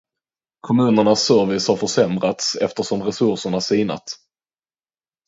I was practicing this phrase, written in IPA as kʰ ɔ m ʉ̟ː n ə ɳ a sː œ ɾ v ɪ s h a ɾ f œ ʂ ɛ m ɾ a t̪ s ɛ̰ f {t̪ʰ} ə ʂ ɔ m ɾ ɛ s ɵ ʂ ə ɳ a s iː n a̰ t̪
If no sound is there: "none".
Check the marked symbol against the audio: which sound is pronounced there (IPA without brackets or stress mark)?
t̪